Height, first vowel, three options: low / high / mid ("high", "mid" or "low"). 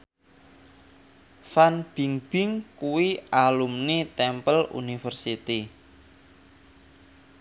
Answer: low